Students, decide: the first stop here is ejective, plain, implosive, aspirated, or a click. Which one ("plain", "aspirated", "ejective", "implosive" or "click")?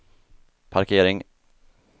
aspirated